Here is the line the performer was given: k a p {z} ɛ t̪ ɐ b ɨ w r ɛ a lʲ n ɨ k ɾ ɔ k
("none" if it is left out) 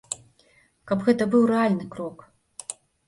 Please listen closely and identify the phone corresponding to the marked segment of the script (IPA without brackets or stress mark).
ɣ